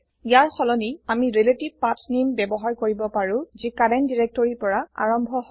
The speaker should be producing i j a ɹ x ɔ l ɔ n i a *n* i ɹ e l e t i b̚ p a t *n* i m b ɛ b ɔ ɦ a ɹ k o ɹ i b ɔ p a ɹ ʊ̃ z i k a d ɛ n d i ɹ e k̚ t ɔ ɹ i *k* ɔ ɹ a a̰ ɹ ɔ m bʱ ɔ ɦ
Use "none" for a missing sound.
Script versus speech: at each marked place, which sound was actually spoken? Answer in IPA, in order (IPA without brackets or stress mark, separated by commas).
m, n, p